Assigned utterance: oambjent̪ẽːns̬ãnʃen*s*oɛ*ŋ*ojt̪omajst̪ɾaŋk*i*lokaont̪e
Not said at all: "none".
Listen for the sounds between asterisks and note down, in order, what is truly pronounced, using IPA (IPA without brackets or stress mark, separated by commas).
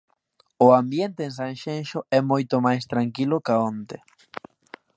ʃ, m, i